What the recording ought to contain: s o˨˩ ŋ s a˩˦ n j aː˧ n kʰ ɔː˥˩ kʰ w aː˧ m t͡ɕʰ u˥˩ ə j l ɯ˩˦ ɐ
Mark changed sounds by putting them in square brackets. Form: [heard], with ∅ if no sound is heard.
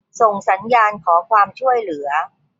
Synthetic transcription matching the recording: s o˨˩ ŋ s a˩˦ n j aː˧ n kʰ [ɔː˩˦] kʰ w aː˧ m t͡ɕʰ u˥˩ ə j l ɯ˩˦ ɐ